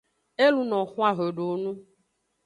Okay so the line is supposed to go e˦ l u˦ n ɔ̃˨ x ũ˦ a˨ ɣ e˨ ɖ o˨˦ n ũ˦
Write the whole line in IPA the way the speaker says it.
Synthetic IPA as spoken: e˦ l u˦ n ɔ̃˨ x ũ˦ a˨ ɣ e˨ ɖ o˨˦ n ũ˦